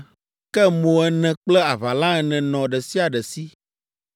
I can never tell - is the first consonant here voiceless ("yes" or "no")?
yes